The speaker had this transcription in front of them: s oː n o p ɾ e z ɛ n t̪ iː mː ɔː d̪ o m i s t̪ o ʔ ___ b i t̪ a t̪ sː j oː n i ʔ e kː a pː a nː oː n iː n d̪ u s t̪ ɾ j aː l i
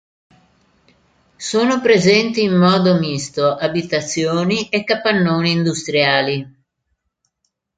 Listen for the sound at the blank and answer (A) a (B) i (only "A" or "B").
A